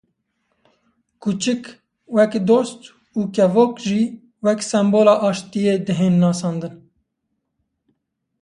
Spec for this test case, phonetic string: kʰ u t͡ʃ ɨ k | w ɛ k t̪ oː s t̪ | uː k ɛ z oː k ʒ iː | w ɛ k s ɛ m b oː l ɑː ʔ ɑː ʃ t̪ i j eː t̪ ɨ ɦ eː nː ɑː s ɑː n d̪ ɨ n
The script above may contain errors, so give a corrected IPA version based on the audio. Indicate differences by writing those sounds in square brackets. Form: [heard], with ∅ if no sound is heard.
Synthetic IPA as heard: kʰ u t͡ʃ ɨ k | w ɛ k [d̪] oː s t̪ | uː k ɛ [v] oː k ʒ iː | w ɛ k s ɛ m b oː l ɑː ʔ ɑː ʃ t̪ i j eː [d̪] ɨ ɦ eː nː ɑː s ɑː n d̪ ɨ n

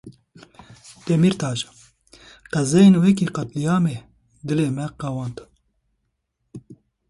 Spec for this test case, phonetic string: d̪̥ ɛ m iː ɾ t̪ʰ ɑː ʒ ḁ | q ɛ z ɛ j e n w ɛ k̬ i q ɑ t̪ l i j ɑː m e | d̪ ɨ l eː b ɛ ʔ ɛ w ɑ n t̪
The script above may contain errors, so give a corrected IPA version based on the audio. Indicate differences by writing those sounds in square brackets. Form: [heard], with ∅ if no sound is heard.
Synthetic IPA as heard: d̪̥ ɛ m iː ɾ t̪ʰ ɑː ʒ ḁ | q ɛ z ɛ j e n w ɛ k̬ i q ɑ t̪ l i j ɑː m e | d̪ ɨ l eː [m] ɛ [q] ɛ w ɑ n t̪

